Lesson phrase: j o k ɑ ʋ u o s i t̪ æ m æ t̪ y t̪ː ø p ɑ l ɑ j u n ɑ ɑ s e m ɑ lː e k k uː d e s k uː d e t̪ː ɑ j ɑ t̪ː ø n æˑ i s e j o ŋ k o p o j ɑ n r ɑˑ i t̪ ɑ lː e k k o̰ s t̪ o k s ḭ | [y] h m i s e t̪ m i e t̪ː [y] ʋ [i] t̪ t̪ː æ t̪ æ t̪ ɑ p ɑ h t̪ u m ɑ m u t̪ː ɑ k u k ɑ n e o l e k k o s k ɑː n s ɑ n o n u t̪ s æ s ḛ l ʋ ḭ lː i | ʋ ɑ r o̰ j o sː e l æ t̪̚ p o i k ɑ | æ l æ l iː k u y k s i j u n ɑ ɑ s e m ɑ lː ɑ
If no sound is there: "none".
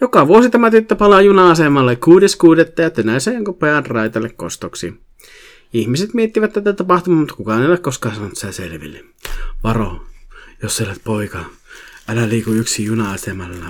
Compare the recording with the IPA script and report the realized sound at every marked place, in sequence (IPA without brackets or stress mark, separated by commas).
i, i, æ